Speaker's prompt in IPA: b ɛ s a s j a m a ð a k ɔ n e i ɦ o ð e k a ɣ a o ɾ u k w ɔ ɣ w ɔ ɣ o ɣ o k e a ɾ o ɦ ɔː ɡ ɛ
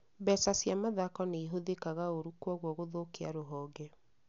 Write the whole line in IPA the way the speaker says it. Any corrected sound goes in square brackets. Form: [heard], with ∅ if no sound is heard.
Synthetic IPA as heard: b ɛ s a s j a m a ð a k ɔ n e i ɦ o ð e k a ɣ a o ɾ u k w ɔ ɣ w ɔ ɣ o [ð] o k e a ɾ o ɦ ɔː ɡ ɛ